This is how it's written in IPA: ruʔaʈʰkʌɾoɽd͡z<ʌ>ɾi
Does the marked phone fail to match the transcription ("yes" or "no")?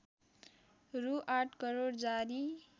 yes